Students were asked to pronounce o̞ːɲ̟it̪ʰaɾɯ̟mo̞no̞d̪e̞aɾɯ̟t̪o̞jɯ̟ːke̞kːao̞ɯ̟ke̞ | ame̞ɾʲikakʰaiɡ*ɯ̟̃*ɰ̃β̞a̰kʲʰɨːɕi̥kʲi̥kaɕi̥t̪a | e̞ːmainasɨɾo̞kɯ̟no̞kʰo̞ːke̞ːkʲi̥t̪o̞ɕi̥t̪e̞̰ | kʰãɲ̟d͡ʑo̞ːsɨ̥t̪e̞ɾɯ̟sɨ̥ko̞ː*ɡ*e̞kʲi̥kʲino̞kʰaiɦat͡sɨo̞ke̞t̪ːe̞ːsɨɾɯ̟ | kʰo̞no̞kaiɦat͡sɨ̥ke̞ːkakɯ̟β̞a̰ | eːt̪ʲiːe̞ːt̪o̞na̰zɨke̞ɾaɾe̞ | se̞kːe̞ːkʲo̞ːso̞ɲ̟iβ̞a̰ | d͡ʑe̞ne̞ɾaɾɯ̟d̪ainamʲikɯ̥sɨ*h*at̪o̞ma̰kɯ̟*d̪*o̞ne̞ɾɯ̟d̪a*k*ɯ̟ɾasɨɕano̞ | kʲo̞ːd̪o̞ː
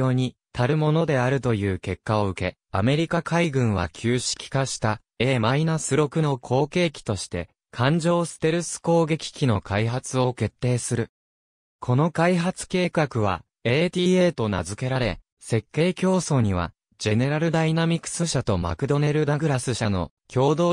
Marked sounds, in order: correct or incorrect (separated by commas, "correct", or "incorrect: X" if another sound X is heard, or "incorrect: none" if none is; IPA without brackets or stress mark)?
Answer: correct, correct, incorrect: ɕ, correct, incorrect: ɡ